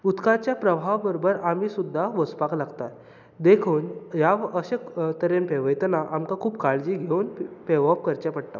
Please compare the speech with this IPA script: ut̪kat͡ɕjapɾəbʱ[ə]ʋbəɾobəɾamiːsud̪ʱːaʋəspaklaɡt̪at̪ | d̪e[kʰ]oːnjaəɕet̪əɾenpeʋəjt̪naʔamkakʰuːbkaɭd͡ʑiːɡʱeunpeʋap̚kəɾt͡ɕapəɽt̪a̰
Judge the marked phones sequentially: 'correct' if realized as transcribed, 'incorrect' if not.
incorrect, correct

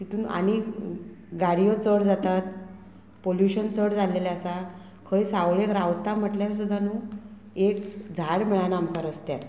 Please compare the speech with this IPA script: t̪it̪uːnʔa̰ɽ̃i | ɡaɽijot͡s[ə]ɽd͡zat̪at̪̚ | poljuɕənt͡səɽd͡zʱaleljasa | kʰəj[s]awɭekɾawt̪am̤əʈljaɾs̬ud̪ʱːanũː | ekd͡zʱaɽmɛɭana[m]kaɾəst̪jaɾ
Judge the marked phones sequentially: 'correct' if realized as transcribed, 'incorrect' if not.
correct, correct, correct

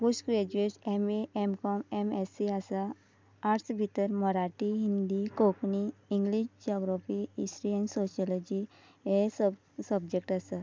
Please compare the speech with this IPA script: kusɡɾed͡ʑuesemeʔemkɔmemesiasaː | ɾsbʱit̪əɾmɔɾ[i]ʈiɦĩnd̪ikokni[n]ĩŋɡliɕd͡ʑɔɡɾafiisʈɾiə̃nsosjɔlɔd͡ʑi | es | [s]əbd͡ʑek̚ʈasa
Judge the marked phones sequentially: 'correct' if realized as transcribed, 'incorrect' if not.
incorrect, incorrect, correct

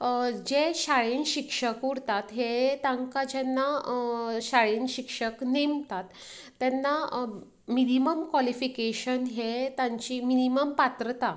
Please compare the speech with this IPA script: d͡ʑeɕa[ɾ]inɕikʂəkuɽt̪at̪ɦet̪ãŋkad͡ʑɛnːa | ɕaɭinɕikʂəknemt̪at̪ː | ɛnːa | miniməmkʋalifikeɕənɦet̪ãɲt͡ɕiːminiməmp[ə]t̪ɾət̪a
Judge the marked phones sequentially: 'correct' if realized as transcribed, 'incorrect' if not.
incorrect, incorrect

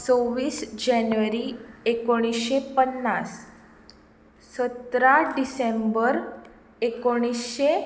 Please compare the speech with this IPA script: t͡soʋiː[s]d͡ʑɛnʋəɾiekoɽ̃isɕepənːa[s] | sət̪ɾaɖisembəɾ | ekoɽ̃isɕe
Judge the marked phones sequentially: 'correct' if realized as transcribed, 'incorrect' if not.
correct, correct

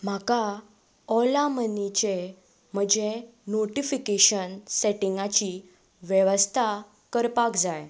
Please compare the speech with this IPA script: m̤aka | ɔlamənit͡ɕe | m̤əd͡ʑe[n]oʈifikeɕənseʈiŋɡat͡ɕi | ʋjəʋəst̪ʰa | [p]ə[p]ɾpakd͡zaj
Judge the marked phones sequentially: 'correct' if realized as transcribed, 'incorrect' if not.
correct, incorrect, incorrect

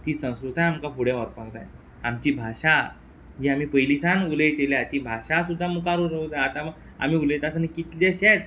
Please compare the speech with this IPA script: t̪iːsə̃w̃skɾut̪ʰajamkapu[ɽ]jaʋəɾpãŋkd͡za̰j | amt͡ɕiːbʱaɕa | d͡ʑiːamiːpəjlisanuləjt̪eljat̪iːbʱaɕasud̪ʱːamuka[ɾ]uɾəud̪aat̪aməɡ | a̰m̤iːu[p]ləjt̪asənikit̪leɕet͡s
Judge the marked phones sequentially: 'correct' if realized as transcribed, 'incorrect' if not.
correct, correct, incorrect

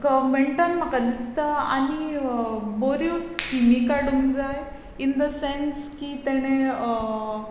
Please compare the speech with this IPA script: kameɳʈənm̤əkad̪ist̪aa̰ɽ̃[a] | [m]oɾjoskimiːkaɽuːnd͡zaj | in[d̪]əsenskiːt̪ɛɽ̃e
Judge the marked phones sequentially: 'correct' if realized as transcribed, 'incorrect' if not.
incorrect, incorrect, correct

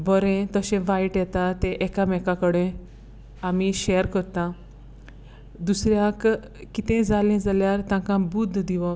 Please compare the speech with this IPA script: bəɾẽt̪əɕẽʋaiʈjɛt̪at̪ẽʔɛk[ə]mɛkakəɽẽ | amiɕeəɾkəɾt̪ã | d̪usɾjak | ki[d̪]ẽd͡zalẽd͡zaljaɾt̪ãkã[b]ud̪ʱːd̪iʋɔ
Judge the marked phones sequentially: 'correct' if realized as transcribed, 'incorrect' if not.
incorrect, incorrect, correct

